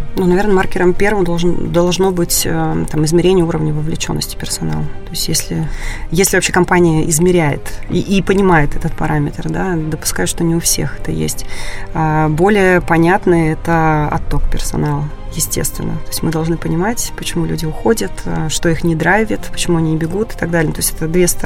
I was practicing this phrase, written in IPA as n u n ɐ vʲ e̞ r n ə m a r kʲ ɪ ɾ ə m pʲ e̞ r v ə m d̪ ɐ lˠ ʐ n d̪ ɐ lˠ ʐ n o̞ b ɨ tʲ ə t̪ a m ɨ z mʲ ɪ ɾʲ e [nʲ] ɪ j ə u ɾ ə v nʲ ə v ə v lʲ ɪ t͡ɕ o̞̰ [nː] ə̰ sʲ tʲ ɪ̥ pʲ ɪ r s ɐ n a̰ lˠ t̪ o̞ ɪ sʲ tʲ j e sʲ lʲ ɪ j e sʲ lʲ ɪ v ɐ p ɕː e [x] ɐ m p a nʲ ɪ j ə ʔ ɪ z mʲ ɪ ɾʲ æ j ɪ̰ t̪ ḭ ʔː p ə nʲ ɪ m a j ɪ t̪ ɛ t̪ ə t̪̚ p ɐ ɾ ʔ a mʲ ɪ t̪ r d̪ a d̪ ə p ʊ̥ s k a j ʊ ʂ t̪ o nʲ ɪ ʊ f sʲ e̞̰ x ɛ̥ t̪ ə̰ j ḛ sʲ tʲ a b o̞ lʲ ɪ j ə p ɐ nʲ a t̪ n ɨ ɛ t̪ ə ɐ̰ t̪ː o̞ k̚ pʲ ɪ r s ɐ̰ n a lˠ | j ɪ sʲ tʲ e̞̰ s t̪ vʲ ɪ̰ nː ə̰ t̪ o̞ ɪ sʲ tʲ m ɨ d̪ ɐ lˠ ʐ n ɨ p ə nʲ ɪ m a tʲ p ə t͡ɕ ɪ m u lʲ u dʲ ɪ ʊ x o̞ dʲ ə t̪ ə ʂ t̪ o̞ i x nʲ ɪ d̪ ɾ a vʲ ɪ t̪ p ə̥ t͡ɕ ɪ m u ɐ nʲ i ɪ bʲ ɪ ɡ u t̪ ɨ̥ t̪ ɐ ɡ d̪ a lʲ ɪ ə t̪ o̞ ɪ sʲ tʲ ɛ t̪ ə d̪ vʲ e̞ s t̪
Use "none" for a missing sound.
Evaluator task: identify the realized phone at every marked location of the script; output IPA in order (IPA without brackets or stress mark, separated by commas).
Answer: nʲ, nː, k